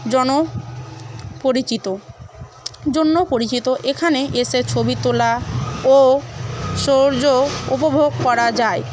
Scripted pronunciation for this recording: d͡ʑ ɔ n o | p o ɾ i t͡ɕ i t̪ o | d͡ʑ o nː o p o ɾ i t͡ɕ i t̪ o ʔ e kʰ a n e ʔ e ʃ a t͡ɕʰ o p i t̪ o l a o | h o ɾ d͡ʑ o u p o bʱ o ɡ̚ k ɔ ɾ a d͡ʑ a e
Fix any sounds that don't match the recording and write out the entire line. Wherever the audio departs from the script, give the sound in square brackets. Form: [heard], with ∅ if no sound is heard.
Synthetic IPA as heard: d͡ʑ ɔ n o | p o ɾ i t͡ɕ i t̪ o | d͡ʑ o nː o p o ɾ i t͡ɕ i t̪ o ʔ e kʰ a n e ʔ e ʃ [e] t͡ɕʰ o [b] i t̪ o l a o | [ʃ] o ɾ d͡ʑ o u p o bʱ o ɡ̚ k ɔ ɾ a d͡ʑ a e